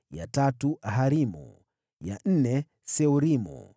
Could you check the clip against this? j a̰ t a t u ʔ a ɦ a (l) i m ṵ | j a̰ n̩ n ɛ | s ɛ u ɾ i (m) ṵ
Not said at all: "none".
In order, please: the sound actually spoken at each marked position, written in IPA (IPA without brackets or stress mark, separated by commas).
ɾ, m